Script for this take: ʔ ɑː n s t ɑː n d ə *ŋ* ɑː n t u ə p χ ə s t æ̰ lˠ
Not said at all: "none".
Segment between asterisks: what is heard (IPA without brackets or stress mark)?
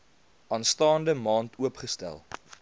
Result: m